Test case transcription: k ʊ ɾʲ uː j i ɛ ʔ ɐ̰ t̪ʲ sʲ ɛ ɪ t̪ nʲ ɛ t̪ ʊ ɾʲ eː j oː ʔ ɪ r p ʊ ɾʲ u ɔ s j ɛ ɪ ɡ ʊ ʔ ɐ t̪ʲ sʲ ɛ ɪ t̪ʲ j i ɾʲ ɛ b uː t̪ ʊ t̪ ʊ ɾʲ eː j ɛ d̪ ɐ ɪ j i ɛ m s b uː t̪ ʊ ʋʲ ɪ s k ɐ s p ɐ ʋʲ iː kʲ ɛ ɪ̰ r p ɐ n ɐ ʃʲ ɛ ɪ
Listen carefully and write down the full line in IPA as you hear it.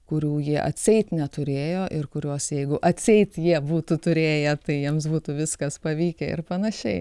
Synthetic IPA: k ʊ ɾʲ uː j i ɛ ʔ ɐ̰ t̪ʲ sʲ ɛ ɪ t̪ nʲ ɛ t̪ ʊ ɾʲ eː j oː ʔ ɪ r k ʊ ɾʲ u ɔ s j ɛ ɪ ɡ ʊ ʔ ɐ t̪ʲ sʲ ɛ ɪ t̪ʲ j i ɛ b uː t̪ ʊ t̪ ʊ ɾʲ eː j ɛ t̪ ɐ ɪ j i ɛ m s b uː t̪ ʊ ʋʲ ɪ s k ɐ s p ɐ ʋʲ iː kʲ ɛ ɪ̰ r p ɐ n ɐ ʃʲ ɛ ɪ